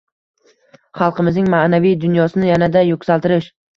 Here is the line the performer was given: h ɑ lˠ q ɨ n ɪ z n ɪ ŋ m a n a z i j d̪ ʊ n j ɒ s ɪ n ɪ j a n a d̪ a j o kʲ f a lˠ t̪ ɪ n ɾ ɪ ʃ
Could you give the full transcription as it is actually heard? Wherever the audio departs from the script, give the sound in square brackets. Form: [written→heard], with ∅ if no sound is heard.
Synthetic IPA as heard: [h→χ] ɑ lˠ q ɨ [n→m] ɪ z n ɪ ŋ m a n a [z→v] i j d̪ ʊ n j ɒ s ɪ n ɪ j a n a d̪ a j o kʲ [f→s] a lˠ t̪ ɪ [n→∅] ɾ ɪ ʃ